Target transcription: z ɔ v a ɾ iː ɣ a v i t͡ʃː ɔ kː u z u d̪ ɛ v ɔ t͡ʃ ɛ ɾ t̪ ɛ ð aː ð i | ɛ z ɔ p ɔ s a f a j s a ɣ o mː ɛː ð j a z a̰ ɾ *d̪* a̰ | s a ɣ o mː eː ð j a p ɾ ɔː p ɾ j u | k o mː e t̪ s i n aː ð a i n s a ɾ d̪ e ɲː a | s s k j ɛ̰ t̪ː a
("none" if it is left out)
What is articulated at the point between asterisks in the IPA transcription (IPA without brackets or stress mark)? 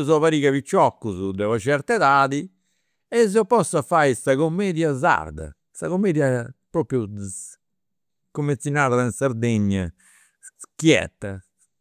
d̪